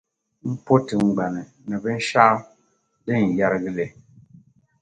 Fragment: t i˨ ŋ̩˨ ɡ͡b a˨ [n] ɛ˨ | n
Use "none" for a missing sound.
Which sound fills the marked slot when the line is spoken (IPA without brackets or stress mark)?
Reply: n